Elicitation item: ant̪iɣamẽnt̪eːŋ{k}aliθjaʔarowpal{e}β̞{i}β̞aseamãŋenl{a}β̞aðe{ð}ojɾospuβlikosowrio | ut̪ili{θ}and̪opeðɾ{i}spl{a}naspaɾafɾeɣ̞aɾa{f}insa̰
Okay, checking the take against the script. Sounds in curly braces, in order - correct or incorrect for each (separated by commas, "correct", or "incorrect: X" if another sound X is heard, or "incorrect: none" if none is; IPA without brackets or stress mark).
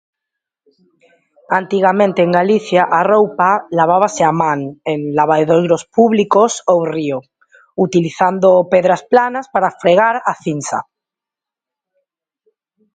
incorrect: ɡ, incorrect: a, incorrect: a, correct, correct, correct, incorrect: a, correct, incorrect: θ